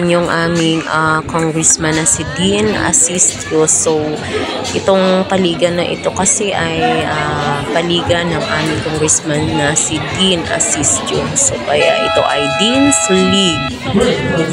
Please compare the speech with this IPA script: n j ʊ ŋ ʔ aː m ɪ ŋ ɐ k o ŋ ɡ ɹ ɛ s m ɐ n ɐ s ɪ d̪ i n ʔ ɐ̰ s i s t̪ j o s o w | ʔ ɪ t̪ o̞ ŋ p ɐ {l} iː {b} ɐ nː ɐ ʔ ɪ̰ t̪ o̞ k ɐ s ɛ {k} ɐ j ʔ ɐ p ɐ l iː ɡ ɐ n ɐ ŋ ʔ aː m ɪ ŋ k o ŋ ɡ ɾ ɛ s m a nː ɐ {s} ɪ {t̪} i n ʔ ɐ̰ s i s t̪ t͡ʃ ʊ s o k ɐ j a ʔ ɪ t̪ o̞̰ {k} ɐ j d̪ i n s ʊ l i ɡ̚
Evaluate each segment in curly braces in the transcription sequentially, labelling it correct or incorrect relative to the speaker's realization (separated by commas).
correct, incorrect, incorrect, correct, incorrect, incorrect